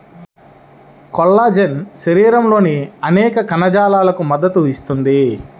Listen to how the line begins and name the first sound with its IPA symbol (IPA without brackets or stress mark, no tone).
k